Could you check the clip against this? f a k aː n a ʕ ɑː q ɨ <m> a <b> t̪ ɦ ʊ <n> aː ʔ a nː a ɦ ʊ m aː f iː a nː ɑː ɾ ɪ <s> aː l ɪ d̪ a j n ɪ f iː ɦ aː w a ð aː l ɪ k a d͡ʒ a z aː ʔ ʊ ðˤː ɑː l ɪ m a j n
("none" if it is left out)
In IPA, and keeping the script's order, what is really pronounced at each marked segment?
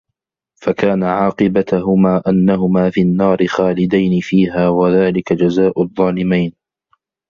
b, none, m, x

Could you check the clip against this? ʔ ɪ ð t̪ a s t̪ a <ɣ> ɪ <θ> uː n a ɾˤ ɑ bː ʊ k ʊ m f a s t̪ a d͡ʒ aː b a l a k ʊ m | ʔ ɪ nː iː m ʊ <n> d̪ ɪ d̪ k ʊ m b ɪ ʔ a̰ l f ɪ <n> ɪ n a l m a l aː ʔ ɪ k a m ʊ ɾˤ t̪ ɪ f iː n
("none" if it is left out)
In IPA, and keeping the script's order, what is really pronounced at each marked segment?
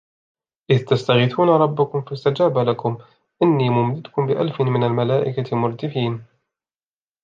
ɣ, θ, m, m

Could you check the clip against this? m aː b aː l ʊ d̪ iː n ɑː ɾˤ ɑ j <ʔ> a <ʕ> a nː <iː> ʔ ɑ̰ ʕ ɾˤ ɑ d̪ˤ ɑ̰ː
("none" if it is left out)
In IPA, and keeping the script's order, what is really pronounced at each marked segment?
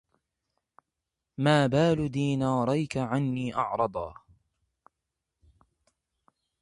k, ʕ, iː

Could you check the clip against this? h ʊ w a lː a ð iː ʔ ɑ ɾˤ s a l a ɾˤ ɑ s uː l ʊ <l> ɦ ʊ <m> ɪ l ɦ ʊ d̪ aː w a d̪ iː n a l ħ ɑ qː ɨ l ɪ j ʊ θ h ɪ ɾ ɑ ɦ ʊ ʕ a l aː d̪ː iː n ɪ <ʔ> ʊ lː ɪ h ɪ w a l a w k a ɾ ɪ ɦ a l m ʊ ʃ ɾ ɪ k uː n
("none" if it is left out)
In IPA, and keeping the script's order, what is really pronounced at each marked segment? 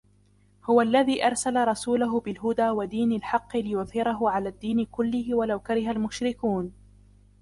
none, b, k

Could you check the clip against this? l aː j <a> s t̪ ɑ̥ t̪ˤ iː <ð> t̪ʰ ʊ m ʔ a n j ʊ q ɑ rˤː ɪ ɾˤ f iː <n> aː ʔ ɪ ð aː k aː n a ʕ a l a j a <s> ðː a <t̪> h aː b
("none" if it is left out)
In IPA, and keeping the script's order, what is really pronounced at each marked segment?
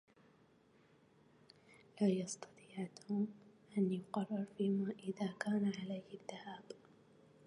ɑ, ʕ, m, none, none

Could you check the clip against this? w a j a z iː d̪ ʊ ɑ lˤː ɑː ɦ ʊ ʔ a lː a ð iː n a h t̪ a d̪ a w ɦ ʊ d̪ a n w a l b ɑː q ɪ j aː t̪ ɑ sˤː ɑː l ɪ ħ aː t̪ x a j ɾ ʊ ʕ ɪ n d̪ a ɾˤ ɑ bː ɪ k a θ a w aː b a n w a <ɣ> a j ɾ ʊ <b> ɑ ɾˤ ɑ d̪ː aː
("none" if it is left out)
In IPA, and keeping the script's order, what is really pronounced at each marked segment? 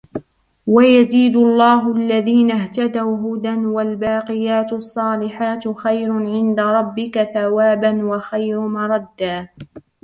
x, m

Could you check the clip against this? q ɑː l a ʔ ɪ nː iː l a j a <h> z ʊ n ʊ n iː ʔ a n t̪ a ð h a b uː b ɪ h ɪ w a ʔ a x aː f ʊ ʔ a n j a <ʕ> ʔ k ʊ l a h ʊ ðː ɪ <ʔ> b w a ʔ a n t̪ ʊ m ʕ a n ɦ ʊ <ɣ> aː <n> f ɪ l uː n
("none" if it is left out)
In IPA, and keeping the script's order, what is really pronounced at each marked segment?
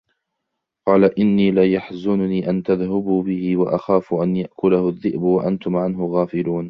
ħ, none, ʔ, ɣ, none

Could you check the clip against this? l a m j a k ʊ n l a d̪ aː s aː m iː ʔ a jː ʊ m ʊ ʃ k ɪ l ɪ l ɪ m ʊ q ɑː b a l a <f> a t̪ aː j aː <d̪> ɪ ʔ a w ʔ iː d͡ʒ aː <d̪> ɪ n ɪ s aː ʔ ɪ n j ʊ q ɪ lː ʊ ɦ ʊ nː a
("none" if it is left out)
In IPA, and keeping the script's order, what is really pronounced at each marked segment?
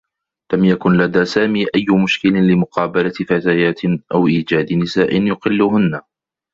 f, t̪, d̪

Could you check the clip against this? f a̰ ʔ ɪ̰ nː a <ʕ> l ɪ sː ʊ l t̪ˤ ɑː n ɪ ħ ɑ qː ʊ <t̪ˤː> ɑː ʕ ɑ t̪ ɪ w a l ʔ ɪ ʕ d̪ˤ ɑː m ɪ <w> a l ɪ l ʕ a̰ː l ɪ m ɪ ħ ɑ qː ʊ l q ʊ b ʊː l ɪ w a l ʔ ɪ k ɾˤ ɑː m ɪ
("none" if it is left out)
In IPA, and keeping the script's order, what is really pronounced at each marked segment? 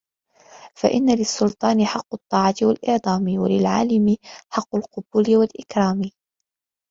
none, t̪ˤː, w

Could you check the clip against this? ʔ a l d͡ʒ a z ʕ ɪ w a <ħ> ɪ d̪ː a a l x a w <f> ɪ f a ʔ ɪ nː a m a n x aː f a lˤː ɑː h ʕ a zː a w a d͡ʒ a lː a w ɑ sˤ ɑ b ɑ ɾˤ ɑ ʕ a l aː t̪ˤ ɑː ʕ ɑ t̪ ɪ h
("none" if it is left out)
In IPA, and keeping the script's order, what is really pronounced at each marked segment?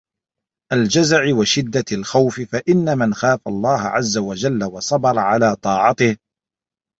ʃ, f

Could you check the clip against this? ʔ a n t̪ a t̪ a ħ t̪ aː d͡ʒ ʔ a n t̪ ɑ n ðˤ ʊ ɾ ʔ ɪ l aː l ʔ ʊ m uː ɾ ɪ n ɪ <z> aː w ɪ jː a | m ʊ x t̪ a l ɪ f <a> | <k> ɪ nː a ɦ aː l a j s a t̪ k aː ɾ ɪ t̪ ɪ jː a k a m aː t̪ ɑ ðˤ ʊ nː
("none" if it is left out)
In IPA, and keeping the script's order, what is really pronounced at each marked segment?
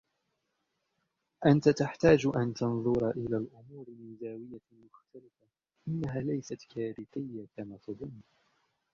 z, a, ʔ

